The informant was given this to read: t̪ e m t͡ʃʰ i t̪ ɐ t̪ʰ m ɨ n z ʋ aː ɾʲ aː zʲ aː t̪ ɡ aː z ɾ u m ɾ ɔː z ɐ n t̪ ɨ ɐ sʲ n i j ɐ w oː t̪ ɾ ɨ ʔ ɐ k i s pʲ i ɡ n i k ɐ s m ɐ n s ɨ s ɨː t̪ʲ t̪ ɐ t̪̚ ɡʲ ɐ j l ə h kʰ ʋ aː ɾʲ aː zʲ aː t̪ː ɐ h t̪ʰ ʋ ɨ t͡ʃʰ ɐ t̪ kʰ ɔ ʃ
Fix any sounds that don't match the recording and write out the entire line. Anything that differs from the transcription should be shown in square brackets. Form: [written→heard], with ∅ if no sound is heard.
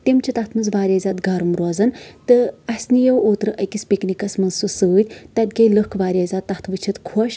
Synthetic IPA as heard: t̪ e m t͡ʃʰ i t̪ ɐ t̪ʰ m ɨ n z ʋ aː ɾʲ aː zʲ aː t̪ ɡ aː [z→∅] ɾ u m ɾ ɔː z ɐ n t̪ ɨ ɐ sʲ n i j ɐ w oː t̪ ɾ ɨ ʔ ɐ k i s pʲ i [ɡ→k] n i k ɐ s m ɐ n s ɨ s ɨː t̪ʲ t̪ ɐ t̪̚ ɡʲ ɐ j l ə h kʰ ʋ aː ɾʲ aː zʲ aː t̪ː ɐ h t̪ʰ ʋ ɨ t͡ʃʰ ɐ t̪ kʰ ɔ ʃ